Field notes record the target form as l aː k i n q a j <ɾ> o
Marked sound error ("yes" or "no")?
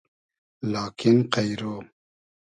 no